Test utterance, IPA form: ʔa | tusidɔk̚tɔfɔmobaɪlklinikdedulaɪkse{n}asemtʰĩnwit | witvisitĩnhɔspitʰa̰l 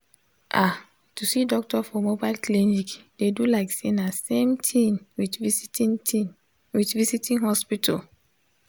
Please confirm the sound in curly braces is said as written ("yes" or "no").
yes